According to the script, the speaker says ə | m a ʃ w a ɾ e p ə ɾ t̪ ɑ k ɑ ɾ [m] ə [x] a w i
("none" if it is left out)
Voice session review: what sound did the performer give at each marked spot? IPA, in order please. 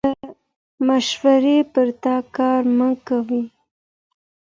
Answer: m, k

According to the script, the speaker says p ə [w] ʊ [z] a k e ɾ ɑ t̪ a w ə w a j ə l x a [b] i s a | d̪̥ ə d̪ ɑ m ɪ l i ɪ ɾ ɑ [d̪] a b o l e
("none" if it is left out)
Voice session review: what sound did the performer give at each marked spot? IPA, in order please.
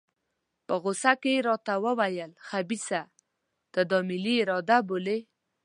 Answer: ɣ, s, b, d̪

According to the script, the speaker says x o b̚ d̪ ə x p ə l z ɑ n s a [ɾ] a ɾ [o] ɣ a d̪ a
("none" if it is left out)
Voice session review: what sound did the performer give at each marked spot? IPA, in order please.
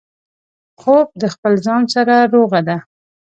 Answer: ɾ, o

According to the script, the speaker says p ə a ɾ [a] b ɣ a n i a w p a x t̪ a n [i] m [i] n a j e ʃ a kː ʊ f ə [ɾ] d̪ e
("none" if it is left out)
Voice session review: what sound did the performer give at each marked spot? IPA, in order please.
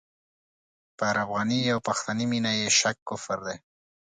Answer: a, i, i, ɾ

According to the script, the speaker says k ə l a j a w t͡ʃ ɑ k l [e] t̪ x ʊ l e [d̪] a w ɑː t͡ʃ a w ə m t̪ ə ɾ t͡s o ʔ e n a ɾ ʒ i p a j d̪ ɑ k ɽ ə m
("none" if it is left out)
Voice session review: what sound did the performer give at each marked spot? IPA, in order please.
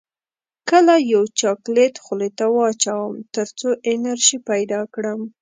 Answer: e, t̪

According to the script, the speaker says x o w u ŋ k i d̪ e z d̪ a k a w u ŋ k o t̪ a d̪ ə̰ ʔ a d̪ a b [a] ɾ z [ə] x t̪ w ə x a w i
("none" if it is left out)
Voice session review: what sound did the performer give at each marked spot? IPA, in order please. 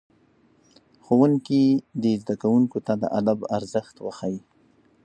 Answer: a, ə

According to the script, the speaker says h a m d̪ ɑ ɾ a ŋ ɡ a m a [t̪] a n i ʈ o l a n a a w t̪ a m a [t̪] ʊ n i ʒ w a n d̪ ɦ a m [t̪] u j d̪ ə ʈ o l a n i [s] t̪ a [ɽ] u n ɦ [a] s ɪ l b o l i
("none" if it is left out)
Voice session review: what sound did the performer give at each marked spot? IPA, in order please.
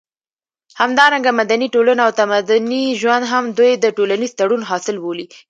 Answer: d̪, d̪, d̪, z, ɽ, ɑ

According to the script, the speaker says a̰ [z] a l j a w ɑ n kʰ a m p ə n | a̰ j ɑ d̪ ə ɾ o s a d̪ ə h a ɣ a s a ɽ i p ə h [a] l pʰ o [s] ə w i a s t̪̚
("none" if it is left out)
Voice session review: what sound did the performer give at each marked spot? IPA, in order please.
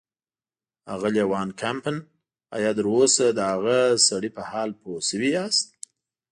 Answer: ɣ, ɑ, s

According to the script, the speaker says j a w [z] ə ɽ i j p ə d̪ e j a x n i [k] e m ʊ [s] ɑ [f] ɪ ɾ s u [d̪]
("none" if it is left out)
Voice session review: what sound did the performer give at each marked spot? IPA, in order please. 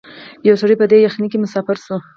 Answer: s, k, s, f, none

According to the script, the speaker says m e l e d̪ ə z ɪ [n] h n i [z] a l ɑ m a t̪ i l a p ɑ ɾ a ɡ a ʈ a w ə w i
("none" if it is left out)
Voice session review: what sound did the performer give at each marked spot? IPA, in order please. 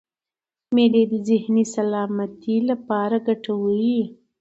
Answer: none, s

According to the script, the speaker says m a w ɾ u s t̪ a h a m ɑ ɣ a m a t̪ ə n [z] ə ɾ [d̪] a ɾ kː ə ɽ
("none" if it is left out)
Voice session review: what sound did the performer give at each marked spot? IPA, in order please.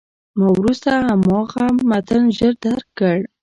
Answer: ʒ, d̪

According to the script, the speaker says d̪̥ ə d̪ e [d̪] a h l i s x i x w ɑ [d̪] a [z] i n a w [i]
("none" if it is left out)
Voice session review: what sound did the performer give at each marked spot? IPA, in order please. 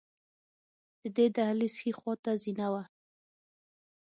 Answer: d̪, t̪, z, a

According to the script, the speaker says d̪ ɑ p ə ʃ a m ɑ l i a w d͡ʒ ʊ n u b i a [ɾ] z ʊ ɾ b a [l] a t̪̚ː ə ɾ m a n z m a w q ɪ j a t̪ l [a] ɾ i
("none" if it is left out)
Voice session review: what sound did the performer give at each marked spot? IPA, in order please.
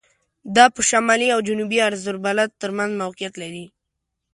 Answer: ɾ, l, a

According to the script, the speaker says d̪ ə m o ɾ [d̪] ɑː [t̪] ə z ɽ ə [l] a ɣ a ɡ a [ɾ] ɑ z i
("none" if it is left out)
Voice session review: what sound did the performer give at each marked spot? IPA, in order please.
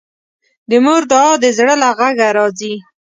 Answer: d̪, d̪, l, ɾ

